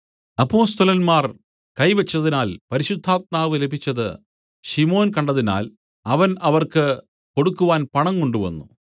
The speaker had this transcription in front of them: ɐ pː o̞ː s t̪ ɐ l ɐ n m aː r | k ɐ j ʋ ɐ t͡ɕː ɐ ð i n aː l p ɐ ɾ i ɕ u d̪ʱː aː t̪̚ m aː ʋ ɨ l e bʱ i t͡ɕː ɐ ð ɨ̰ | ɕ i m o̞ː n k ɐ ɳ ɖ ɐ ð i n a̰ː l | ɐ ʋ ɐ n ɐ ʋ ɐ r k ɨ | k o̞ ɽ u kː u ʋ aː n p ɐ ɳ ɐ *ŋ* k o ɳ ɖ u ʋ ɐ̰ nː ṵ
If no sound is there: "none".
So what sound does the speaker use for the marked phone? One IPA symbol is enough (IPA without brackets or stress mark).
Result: ŋ